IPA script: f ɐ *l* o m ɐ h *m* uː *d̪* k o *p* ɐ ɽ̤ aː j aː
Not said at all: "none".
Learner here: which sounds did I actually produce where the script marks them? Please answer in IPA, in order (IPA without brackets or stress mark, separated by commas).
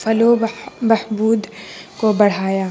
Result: l, b, d̪, b